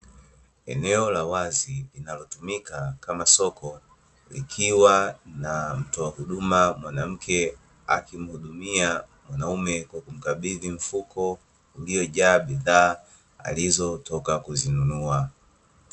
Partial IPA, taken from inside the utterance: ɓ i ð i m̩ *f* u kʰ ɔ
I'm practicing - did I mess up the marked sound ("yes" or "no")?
no